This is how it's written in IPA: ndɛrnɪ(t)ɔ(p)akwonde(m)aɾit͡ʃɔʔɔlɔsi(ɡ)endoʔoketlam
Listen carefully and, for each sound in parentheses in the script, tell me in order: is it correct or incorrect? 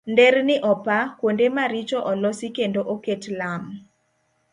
incorrect: ʔ, correct, correct, incorrect: k

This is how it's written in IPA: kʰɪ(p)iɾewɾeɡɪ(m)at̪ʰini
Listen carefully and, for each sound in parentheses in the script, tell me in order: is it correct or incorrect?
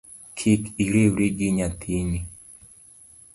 incorrect: k, incorrect: ɲ

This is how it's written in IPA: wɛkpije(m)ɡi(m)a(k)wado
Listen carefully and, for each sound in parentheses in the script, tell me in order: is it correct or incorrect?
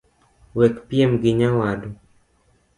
correct, incorrect: ɲ, incorrect: none

